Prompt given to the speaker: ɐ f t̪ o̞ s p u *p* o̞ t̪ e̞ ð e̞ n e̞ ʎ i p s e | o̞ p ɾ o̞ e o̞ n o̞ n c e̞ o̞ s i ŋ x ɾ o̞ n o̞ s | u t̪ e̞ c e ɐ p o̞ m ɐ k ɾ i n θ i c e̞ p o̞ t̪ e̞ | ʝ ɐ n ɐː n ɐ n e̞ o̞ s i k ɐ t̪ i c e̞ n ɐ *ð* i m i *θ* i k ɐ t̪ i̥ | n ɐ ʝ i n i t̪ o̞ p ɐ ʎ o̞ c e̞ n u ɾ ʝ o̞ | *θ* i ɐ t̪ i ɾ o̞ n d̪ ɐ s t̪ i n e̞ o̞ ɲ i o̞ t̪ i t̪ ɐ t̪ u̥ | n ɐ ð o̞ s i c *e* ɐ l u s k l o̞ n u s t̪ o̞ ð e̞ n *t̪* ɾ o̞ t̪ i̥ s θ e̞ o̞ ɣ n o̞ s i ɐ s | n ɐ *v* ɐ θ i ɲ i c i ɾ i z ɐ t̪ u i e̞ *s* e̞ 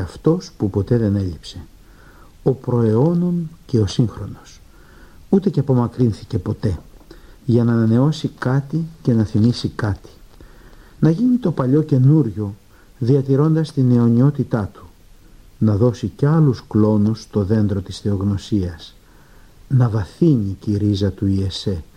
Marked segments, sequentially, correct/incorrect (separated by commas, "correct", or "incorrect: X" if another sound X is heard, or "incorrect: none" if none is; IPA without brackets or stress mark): correct, incorrect: θ, incorrect: s, incorrect: ð, correct, incorrect: d̪, correct, correct